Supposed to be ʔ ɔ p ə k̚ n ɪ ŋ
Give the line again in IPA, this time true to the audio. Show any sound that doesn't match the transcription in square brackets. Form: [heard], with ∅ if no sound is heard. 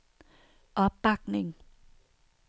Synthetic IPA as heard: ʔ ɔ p [a] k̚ n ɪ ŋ